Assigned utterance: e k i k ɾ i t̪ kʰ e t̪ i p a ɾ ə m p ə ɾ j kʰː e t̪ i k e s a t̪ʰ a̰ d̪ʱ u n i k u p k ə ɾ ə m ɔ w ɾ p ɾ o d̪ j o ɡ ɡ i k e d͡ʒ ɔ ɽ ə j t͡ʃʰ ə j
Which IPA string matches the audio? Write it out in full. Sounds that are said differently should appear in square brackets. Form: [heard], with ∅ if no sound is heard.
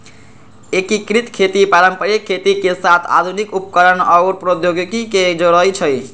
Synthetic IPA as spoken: e k i k ɾ i t̪ kʰ e t̪ i p a ɾ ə m p ə ɾ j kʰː e t̪ i k e s a t̪ʰ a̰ d̪ʱ u n i k u p k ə ɾ ə [n] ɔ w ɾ p ɾ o d̪ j o ɡ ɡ i k e d͡ʒ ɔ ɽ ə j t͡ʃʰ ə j